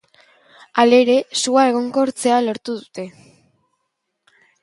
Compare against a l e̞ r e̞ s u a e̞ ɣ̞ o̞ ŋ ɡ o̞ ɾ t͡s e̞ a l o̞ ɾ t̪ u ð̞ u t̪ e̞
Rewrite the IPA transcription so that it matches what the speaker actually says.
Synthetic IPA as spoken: a l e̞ ɾ e̞ s u a e̞ ɣ̞ o̞ ŋ ɡ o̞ ɾ t͡s e̞ a l o̞ ɾ t̪ u ð̞ u t̪ e̞